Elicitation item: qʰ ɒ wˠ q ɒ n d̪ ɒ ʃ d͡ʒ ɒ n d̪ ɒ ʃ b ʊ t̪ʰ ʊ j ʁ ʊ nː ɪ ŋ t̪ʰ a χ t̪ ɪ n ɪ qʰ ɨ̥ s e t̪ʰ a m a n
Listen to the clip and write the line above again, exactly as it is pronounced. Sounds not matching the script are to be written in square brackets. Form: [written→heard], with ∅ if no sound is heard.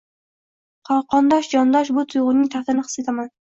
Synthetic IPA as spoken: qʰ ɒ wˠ q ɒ n d̪ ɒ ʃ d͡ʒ ɒ n d̪ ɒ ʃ b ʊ t̪ʰ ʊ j ʁ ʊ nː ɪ ŋ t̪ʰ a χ t̪ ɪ n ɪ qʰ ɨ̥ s e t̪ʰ a m a n